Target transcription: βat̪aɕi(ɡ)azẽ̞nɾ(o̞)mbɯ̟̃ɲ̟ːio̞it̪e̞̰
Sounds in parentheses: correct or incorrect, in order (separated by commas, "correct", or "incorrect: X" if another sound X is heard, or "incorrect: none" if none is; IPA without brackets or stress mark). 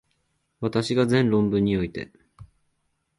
correct, incorrect: õ̞